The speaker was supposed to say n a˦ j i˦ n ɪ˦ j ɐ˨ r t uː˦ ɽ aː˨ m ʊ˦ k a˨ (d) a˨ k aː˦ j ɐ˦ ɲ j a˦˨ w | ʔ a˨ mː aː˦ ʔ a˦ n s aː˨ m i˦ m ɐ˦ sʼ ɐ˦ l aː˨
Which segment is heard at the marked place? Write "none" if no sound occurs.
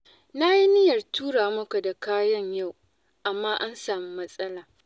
d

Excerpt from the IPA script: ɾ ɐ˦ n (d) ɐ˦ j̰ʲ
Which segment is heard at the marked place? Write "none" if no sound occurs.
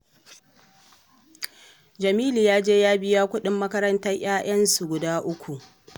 t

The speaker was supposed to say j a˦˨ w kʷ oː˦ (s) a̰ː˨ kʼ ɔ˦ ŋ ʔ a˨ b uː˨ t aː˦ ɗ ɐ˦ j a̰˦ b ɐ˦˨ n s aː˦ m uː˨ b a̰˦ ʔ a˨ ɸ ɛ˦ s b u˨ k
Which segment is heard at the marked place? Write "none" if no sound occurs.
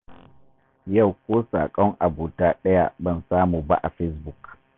s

